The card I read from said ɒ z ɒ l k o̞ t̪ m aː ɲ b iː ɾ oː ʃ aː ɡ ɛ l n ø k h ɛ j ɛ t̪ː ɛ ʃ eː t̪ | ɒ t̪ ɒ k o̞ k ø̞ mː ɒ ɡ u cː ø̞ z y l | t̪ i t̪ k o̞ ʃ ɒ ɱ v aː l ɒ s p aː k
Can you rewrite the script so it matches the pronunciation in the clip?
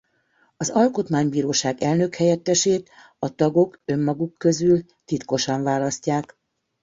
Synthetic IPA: ɒ z ɒ l k o̞ t̪ m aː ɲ b iː ɾ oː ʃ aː ɡ ɛ l n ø k h ɛ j ɛ t̪ː ɛ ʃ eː t̪ | ɒ t̪ ɒ ɡ o̞ k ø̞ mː ɒ ɡ u kː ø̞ z y l | t̪ i t̪ k o̞ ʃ ɒ ɱ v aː l ɒ s c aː k